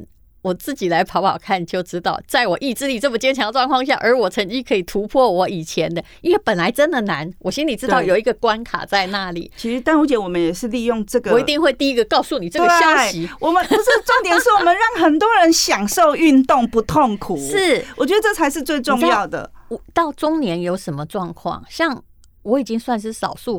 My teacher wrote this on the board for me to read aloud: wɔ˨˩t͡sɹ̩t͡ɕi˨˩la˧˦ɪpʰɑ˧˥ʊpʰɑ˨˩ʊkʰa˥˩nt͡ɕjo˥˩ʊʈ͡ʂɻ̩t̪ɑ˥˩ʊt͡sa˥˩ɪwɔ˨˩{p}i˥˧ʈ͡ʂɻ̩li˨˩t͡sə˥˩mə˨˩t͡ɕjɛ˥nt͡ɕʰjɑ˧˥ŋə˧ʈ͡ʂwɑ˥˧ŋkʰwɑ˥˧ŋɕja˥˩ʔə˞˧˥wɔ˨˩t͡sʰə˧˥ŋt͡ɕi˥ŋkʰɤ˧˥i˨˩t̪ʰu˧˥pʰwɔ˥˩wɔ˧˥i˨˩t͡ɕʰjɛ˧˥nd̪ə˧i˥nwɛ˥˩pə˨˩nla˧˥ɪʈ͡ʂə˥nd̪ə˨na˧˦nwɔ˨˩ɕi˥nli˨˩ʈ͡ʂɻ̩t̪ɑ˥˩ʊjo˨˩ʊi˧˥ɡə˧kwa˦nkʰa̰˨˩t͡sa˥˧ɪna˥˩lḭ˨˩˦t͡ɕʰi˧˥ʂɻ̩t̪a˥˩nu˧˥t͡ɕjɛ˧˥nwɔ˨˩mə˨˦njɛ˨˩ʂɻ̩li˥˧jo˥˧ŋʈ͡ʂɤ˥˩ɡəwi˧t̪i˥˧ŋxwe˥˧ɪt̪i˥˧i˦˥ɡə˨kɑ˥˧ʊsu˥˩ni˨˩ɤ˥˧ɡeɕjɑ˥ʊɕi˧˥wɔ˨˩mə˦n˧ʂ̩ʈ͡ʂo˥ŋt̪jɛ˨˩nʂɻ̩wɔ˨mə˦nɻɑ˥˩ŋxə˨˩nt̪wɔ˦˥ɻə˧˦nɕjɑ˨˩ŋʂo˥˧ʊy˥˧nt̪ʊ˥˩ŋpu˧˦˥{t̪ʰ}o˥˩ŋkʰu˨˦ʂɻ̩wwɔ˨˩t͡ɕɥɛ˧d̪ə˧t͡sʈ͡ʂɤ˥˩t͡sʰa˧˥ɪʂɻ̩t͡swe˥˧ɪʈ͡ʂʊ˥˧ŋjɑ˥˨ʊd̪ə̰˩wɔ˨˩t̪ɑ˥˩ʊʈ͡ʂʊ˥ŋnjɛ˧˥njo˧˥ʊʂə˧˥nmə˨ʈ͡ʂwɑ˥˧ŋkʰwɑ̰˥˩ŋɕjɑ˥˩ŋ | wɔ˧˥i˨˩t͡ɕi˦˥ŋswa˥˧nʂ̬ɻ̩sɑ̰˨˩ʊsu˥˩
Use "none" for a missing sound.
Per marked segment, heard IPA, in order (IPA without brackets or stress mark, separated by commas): ʔ, t̪ʰ